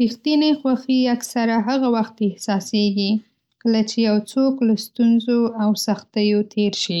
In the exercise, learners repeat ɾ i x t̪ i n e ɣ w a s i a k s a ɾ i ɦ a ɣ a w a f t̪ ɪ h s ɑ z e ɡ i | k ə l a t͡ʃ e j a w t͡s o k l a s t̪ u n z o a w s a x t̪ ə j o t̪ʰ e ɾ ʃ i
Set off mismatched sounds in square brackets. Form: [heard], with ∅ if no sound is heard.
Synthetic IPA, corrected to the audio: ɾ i x t̪ i n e [x] w a [x] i a k s a ɾ [a] ɦ a ɣ a w a [x] t̪ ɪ h s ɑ [s] e ɡ i | k ə l a t͡ʃ e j a w t͡s o k l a s t̪ u n z o a w s a x t̪ ə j o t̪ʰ e ɾ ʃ i